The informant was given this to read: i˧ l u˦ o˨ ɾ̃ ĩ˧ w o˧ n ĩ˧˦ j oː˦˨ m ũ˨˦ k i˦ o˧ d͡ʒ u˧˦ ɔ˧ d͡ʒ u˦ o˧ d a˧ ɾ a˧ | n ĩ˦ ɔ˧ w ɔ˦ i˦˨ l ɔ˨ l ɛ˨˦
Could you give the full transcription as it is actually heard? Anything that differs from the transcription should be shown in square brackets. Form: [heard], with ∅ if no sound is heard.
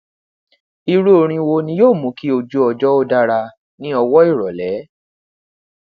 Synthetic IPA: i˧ [ɾ] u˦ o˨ ɾ̃ ĩ˧ w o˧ n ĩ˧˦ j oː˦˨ m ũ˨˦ k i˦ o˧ d͡ʒ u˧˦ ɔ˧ d͡ʒ [ɔ˦] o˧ d a˧ ɾ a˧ | n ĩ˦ ɔ˧ w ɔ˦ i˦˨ [ɾ] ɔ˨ l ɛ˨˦